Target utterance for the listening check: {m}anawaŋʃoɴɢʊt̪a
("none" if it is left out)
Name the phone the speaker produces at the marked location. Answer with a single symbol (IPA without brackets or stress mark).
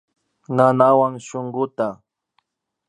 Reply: n